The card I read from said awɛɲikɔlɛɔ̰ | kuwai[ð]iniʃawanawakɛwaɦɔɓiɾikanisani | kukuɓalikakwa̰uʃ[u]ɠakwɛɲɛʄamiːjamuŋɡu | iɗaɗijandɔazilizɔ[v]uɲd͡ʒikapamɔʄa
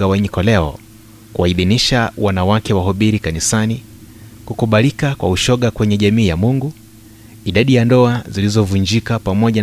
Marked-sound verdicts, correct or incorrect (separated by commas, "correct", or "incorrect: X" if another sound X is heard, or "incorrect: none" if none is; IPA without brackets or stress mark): correct, incorrect: ɔ, correct